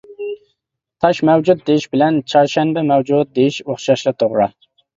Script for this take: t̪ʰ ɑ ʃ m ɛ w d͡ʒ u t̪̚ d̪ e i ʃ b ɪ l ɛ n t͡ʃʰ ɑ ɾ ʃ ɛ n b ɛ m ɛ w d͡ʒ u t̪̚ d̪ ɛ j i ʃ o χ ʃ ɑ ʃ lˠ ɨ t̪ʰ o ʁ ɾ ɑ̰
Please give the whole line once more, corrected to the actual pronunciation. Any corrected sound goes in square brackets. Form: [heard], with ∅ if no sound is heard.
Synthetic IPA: t̪ʰ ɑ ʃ m ɛ w d͡ʒ u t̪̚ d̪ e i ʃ b ɪ l ɛ n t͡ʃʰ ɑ ɾ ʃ ɛ n b ɛ m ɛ w d͡ʒ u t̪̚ d̪ [e] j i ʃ o χ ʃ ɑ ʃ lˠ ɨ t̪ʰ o ʁ ɾ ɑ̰